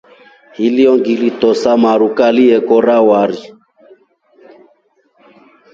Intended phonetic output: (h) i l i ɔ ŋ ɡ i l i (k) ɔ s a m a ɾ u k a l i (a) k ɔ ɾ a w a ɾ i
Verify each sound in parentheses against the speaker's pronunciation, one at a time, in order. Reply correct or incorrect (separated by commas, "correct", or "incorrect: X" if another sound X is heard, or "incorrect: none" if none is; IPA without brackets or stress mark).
correct, incorrect: t, incorrect: ɛ